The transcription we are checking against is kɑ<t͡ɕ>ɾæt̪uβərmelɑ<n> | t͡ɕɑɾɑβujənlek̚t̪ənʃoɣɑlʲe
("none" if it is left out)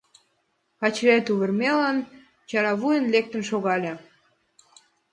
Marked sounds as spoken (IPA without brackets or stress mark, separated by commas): t͡ɕ, n